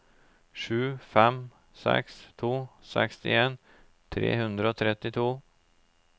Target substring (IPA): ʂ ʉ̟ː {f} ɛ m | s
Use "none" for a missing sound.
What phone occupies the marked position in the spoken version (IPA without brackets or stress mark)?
f